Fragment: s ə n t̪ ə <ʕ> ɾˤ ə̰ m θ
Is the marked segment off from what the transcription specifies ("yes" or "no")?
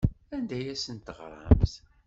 yes